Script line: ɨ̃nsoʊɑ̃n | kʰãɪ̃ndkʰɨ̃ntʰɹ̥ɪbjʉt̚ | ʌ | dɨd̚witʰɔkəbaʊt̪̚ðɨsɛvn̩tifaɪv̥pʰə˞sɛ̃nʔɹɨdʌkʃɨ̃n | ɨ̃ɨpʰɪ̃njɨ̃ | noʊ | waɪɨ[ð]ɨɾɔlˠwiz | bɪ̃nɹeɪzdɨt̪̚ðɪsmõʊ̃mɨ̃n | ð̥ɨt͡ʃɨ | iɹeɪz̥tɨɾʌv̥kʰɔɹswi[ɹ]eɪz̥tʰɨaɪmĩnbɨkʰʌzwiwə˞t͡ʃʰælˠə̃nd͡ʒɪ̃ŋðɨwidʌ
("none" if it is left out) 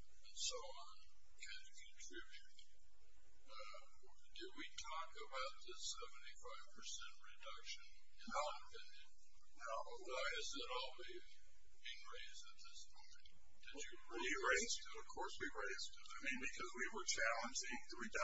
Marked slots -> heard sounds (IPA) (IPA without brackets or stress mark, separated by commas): z, ɹ